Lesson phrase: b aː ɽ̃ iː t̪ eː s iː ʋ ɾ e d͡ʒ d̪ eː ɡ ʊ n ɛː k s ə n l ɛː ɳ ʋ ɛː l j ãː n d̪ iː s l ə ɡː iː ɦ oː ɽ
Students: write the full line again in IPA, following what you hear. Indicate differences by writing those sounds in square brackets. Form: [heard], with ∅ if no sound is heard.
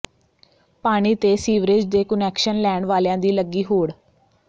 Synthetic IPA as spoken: [p] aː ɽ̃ iː t̪ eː s iː ʋ ɾ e d͡ʒ d̪ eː [k] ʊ n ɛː k [ʃ] ə n l ɛː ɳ ʋ [aː] l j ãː [∅] d̪ iː [∅] l ə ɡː iː ɦ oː ɽ